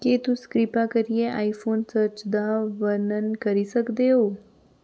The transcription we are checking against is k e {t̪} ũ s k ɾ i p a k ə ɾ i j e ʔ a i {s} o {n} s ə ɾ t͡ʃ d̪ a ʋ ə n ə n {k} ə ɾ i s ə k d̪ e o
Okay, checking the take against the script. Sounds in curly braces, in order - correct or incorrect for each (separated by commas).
correct, incorrect, correct, correct